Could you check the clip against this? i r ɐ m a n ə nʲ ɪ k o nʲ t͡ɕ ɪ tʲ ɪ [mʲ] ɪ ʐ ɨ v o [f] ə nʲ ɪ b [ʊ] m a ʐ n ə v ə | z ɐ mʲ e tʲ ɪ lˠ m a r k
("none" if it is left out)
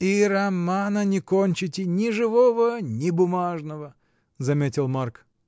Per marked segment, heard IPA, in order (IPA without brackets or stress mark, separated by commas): nʲ, v, ʊ